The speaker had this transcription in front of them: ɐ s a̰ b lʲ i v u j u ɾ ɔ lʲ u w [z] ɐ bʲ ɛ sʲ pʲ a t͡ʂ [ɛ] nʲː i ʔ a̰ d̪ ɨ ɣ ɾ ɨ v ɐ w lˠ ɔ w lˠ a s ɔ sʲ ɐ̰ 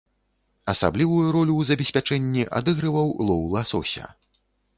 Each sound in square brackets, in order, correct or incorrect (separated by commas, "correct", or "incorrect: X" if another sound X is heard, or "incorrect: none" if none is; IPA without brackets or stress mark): correct, correct